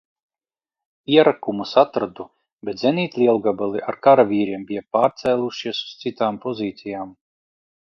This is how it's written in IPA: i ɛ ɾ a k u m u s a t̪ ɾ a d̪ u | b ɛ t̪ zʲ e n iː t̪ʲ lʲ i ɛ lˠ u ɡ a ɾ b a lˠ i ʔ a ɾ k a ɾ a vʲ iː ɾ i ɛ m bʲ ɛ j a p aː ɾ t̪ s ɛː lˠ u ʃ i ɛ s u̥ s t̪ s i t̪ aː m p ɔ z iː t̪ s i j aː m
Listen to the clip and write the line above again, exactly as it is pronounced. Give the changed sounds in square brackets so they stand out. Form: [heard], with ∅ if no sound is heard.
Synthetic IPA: i ɛ ɾ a k u m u s a t̪ ɾ a d̪ u | b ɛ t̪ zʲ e n iː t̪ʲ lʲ i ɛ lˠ u ɡ a [∅] b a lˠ i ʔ a ɾ k a ɾ a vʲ iː ɾ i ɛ m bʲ [i] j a p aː ɾ t̪ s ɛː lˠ u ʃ i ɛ s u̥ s t̪ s i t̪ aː m p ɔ z iː t̪ s i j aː m